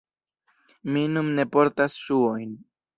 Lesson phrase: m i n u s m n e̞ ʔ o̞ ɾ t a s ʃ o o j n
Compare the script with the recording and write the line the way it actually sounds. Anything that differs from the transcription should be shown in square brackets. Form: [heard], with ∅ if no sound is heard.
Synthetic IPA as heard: m i n u [∅] m n e̞ [p] o̞ ɾ t a s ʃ [u] o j n